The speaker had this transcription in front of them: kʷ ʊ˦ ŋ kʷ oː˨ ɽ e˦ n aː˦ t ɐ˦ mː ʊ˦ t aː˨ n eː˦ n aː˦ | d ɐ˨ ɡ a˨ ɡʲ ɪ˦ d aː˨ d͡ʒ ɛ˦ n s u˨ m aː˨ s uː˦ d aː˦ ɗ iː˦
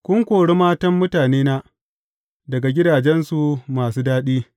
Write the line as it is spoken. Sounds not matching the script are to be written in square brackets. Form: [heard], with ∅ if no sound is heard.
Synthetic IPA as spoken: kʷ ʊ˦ ŋ kʷ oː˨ ɽ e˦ [m] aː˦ t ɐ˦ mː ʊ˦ t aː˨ n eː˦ n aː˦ | d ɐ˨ ɡ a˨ ɡʲ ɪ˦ d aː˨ d͡ʒ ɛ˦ n s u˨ m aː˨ s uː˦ d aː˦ ɗ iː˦